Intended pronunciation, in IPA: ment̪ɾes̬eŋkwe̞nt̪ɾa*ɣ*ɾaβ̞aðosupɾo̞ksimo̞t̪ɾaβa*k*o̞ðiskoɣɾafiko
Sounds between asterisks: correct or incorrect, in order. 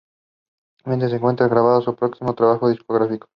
correct, incorrect: x

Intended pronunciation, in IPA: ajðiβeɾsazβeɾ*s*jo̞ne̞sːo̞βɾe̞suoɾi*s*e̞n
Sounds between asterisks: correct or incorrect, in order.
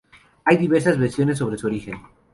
correct, incorrect: x

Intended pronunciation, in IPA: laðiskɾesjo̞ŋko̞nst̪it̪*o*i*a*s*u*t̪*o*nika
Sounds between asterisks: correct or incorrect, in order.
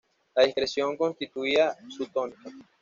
incorrect: u, correct, correct, correct

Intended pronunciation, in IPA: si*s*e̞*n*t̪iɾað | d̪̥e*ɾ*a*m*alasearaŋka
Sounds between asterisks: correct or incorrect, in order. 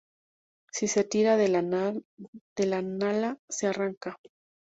correct, incorrect: none, incorrect: l, incorrect: n

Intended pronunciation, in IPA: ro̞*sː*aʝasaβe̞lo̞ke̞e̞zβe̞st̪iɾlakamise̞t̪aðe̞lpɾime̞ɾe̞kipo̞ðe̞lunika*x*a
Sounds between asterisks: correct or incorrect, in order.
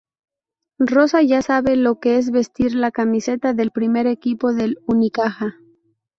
incorrect: s, correct

